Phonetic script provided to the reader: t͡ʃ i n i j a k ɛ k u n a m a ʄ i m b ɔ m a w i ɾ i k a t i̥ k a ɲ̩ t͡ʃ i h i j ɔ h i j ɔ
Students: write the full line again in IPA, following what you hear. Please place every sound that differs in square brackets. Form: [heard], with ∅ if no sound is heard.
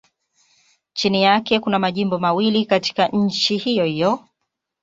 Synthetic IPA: t͡ʃ i n i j a k ɛ k u n a m a ʄ i m b ɔ m a w i [l] i k a t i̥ k a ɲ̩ t͡ʃ i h i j ɔ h i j ɔ